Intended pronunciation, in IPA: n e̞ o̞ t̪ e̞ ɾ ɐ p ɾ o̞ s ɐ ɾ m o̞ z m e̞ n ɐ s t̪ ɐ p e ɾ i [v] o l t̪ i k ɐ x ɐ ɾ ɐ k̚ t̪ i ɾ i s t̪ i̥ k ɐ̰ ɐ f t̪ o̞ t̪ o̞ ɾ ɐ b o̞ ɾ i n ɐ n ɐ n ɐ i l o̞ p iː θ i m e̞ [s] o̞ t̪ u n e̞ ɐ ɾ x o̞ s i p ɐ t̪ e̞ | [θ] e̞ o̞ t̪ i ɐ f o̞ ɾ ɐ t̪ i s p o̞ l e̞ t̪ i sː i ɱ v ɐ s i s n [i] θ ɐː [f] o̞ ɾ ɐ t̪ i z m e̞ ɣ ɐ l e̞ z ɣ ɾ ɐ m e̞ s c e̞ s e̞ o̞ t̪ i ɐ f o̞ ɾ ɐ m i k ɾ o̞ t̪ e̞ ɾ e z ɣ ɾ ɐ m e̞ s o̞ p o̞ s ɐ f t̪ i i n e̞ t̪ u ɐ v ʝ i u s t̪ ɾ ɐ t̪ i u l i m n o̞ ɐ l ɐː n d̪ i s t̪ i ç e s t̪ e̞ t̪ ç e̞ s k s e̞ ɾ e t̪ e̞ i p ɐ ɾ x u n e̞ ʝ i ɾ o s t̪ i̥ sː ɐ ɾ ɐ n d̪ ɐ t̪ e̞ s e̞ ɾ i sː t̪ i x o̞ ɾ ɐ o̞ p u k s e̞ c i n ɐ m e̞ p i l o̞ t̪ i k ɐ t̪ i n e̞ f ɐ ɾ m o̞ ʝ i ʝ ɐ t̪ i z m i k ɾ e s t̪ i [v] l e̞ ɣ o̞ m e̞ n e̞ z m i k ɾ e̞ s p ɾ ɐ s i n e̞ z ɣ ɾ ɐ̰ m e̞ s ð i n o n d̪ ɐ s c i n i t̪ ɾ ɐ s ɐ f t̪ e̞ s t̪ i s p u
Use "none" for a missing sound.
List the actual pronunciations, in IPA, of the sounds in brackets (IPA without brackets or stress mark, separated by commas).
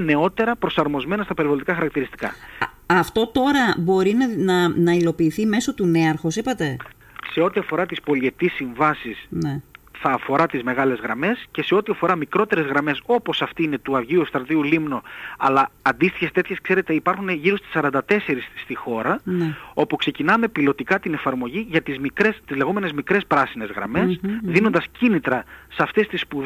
v, s, s, e, f, z